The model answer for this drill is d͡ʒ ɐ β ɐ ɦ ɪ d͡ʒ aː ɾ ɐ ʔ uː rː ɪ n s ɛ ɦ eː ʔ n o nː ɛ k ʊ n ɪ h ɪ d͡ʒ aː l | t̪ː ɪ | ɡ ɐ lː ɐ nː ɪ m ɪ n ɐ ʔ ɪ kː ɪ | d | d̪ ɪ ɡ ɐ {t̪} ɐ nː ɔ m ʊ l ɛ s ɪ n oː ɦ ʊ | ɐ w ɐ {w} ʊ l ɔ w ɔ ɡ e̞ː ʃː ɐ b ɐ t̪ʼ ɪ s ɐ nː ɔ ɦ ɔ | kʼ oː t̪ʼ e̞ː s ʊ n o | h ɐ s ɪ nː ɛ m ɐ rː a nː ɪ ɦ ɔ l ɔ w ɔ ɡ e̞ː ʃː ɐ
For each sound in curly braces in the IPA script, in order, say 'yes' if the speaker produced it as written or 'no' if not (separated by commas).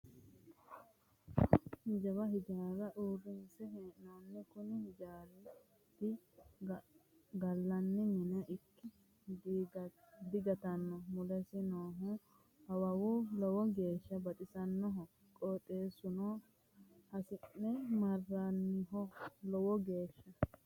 yes, yes